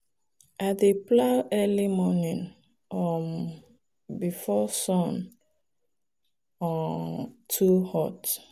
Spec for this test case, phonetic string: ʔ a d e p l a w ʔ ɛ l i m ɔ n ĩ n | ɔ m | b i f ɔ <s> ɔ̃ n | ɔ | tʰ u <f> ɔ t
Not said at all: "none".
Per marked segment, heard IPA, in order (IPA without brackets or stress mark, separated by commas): s, h